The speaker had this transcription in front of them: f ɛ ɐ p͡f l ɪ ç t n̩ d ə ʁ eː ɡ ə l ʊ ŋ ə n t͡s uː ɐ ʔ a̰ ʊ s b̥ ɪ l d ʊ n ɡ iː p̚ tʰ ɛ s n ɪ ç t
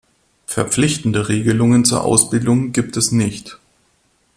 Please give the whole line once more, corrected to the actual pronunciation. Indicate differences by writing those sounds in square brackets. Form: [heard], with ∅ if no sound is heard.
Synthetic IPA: f ɛ ɐ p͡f l ɪ ç t n̩ d ə ʁ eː ɡ ə l ʊ ŋ ə n t͡s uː ɐ ʔ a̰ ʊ s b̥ ɪ l d ʊ [ŋ] ɡ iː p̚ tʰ ɛ s n ɪ ç t